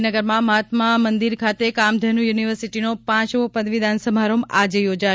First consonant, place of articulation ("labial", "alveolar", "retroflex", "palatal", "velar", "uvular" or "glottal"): alveolar